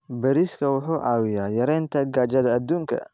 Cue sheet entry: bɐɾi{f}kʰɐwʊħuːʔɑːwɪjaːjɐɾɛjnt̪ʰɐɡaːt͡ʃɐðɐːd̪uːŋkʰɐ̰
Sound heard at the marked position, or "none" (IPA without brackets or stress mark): s